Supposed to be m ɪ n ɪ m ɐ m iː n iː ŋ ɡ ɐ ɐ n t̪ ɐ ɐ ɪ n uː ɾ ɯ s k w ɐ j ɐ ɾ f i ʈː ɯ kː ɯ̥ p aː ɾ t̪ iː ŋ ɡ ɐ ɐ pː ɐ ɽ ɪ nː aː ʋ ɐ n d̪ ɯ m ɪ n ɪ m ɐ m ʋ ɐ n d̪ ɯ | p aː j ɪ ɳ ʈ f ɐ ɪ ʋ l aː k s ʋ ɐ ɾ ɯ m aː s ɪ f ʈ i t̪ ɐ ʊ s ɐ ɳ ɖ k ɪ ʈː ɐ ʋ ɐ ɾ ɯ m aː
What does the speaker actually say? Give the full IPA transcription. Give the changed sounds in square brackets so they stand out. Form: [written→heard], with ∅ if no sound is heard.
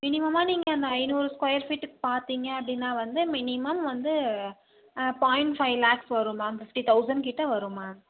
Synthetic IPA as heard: m ɪ n ɪ m ɐ m [iː→aː] n iː ŋ ɡ ɐ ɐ n [t̪→d̪] ɐ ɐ ɪ n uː ɾ ɯ s k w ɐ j ɐ ɾ f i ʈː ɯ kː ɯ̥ p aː ɾ t̪ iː ŋ ɡ ɐ ɐ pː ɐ ɽ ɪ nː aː ʋ ɐ n d̪ ɯ m ɪ n ɪ m ɐ m ʋ ɐ n d̪ ɯ | p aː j ɪ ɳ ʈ f ɐ ɪ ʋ l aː k s ʋ ɐ ɾ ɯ m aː [s→f] ɪ f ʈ i t̪ ɐ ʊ s ɐ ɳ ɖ k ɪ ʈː ɐ ʋ ɐ ɾ ɯ m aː

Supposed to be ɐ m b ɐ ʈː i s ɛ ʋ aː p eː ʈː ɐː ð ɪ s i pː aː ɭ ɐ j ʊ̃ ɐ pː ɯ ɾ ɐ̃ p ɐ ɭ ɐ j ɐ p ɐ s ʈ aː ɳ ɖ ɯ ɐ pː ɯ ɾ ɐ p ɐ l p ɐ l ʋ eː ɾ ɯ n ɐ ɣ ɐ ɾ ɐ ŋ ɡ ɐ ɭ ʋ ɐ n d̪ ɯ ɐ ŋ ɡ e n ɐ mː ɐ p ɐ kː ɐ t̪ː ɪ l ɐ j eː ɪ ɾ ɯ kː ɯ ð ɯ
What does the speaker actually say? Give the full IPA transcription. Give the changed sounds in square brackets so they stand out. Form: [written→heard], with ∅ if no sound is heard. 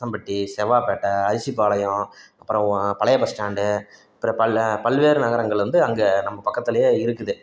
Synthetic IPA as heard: ɐ m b ɐ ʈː i s ɛ ʋ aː p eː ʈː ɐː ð ɪ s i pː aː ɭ ɐ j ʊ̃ ɐ pː ɯ ɾ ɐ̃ p ɐ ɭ ɐ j ɐ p ɐ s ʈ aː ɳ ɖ ɯ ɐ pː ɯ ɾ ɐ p ɐ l p ɐ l ʋ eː ɾ ɯ n ɐ ɣ ɐ ɾ ɐ ŋ ɡ ɐ ɭ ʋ ɐ n d̪ ɯ ɐ ŋ ɡ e n ɐ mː ɐ p ɐ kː ɐ t̪ː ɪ l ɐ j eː ɪ ɾ ɯ kː ɯ ð ɯ

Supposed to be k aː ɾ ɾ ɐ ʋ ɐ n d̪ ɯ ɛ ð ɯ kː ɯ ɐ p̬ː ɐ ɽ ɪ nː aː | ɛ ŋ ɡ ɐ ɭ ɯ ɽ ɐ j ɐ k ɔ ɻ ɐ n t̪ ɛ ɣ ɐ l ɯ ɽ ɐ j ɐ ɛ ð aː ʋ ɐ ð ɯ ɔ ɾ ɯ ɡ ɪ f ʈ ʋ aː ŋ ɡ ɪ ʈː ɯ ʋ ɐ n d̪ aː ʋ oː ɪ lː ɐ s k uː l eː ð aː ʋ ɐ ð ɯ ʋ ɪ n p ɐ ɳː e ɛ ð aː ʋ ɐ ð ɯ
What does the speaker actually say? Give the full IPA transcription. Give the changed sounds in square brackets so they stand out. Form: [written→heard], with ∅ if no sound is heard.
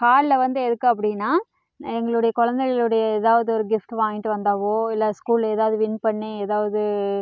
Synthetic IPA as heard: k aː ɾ [ɾ→l] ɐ ʋ ɐ n d̪ ɯ ɛ ð ɯ kː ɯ ɐ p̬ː ɐ ɽ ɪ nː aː | ɛ ŋ ɡ ɐ ɭ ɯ ɽ ɐ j ɐ k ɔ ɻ ɐ n [t̪→d̪] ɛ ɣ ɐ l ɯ ɽ ɐ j ɐ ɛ ð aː ʋ ɐ ð ɯ ɔ ɾ ɯ ɡ ɪ f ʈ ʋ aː ŋ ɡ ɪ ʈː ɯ ʋ ɐ n d̪ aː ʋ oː ɪ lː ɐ s k uː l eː ð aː ʋ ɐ ð ɯ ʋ ɪ n p ɐ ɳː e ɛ ð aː ʋ ɐ ð ɯ

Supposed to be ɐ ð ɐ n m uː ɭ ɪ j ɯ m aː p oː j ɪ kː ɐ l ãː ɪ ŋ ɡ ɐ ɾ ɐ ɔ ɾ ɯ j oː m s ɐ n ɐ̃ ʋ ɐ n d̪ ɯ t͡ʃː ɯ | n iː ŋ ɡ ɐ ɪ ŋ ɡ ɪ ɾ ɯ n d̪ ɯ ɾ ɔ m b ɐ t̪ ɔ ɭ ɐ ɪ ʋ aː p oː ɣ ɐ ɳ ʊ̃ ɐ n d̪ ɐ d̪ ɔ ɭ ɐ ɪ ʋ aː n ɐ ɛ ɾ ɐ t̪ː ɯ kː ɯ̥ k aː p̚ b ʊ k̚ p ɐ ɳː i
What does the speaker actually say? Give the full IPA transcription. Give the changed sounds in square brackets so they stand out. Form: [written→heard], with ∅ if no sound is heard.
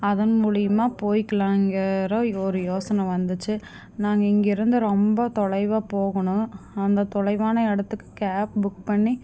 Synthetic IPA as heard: ɐ ð ɐ n m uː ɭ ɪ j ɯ m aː p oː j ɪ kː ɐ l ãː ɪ ŋ ɡ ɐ ɾ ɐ ɔ ɾ ɯ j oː [m→∅] s ɐ n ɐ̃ ʋ ɐ n d̪ ɯ t͡ʃː ɯ | n [iː→aː] ŋ ɡ ɐ ɪ ŋ ɡ ɪ ɾ ɯ n d̪ ɯ ɾ ɔ m b ɐ t̪ ɔ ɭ ɐ ɪ ʋ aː p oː ɣ ɐ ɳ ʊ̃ ɐ n d̪ ɐ [d̪→t̪] ɔ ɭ ɐ ɪ ʋ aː n ɐ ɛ [ɾ→ɽ] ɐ t̪ː ɯ kː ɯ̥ k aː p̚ b ʊ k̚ p ɐ ɳː i

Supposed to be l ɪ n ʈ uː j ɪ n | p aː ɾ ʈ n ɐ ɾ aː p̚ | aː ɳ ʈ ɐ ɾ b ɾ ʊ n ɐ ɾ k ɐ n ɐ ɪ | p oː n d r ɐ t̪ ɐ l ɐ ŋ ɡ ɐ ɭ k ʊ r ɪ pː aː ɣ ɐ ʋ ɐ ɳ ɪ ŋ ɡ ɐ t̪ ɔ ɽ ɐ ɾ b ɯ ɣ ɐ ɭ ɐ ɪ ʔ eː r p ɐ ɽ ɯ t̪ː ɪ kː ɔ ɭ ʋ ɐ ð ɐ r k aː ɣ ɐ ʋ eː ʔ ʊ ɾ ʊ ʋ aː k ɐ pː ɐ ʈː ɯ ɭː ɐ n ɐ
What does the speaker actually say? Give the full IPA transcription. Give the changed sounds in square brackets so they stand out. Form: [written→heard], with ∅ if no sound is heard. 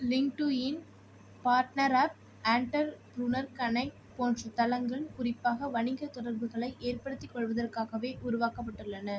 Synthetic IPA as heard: l ɪ [n→ŋ] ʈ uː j ɪ n | p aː ɾ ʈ n ɐ ɾ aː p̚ | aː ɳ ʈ ɐ ɾ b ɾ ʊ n ɐ ɾ k ɐ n ɐ ɪ | p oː n d r ɐ t̪ ɐ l ɐ ŋ ɡ ɐ ɭ k ʊ r ɪ pː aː ɣ ɐ ʋ ɐ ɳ ɪ ŋ ɡ ɐ t̪ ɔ ɽ ɐ ɾ b ɯ ɣ ɐ ɭ ɐ ɪ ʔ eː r p ɐ ɽ ɯ t̪ː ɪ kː ɔ ɭ ʋ ɐ ð ɐ r k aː ɣ ɐ ʋ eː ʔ ʊ ɾ ʊ ʋ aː k ɐ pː ɐ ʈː ɯ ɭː ɐ n ɐ

